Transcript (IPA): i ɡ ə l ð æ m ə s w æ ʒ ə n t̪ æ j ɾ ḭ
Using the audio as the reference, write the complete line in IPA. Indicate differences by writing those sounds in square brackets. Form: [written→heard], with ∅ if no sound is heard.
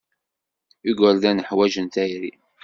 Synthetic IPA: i ɡ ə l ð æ [m→n] ə [s→ħ] w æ ʒ ə n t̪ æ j ɾ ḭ